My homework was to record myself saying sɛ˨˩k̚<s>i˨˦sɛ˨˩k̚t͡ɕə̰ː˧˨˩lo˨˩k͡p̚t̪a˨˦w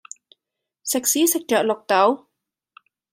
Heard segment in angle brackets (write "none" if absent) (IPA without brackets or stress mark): s